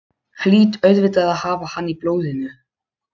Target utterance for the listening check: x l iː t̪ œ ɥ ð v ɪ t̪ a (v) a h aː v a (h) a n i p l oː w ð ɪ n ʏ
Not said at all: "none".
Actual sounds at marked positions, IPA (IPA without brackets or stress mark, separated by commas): ð, h